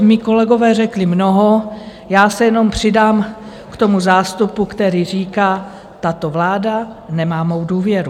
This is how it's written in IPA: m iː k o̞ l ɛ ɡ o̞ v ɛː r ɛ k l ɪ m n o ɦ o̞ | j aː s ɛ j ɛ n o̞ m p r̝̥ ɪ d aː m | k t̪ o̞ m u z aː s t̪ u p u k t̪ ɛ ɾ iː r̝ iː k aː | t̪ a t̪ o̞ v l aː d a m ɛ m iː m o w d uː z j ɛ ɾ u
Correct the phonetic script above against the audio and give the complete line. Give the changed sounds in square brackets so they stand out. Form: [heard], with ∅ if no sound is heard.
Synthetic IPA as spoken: m iː k o̞ l ɛ ɡ o̞ v ɛː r ɛ k l ɪ m n o ɦ o̞ | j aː s ɛ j ɛ n o̞ m p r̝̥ ɪ d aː m | k t̪ o̞ m u z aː s t̪ u p u k t̪ ɛ ɾ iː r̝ iː k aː | t̪ a t̪ o̞ v l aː d a [n] ɛ m [aː] m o w d uː [v] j ɛ ɾ u